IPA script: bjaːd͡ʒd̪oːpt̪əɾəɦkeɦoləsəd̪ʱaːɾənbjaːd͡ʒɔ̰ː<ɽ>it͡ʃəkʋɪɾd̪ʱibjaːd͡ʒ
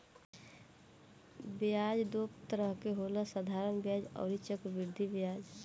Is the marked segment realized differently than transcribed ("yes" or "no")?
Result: yes